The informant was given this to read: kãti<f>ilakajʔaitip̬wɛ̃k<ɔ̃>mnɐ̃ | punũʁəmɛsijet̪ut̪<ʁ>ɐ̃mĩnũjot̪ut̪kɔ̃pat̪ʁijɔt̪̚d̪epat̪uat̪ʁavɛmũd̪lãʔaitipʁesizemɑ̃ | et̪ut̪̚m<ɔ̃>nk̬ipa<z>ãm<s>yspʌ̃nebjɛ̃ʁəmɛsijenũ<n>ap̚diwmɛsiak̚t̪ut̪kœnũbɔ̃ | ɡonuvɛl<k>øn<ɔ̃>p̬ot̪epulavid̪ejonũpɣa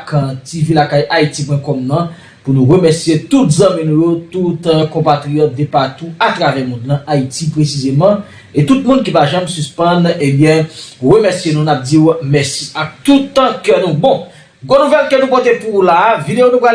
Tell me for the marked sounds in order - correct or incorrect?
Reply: incorrect, incorrect, incorrect, incorrect, incorrect, correct, correct, correct, incorrect

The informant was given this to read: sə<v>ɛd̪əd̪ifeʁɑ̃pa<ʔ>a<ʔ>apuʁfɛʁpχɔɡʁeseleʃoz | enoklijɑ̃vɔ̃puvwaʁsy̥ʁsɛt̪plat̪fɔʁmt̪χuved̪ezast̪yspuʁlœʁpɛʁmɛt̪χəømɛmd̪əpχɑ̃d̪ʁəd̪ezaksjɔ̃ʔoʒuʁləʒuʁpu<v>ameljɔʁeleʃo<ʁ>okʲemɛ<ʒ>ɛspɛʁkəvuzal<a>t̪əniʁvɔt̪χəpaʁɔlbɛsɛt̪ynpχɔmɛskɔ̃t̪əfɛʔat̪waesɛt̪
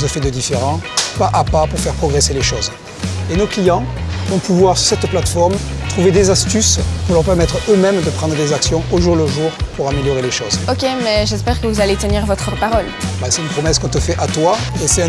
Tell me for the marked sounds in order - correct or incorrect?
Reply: incorrect, correct, incorrect, incorrect, incorrect, correct, incorrect

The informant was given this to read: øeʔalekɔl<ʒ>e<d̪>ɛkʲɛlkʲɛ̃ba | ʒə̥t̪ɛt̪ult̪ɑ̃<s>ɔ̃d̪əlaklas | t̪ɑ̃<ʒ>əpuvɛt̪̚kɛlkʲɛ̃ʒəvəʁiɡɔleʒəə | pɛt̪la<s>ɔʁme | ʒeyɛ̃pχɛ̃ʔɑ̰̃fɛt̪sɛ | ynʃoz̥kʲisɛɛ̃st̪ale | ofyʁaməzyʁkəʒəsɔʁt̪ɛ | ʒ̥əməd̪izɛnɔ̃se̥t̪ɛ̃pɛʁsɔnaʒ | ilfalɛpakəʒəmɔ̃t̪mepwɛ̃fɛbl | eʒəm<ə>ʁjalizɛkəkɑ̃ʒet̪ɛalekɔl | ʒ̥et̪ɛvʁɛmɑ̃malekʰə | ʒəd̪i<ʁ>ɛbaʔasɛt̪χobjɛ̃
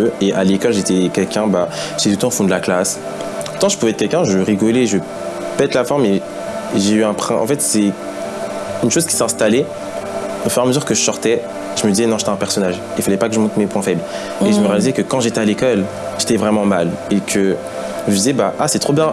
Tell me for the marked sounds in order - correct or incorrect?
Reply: correct, incorrect, incorrect, correct, incorrect, correct, incorrect

